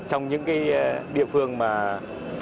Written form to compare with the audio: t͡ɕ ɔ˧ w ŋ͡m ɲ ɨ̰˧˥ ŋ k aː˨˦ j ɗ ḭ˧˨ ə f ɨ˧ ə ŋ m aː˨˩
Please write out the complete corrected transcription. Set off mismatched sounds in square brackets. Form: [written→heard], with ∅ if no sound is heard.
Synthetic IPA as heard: t͡ɕ ɔ˧ w ŋ͡m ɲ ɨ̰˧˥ ŋ k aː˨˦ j ɗ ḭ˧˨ ə f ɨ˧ ə ŋ m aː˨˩